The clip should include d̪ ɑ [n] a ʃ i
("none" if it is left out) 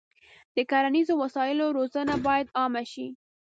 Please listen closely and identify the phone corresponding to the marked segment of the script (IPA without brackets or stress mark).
m